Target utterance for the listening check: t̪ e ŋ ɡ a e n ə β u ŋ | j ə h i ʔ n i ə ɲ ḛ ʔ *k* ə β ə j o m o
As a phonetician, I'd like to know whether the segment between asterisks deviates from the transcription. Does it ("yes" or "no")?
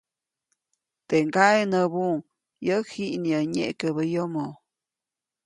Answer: no